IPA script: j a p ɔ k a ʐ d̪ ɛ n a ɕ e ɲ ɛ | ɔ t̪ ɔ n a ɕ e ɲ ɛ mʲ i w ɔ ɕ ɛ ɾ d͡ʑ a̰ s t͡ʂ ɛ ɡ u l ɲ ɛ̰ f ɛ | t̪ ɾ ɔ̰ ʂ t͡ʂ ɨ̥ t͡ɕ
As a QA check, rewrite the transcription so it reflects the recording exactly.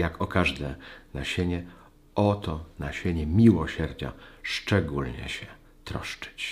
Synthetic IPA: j a k ɔ k a ʐ d̪ ɛ n a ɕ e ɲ ɛ | ɔ t̪ ɔ n a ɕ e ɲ ɛ mʲ i w ɔ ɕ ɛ ɾ d͡ʑ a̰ ʂ t͡ʂ ɛ ɡ u l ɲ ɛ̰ ɕ ɛ | t̪ ɾ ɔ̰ ʂ t͡ʂ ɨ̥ t͡ɕ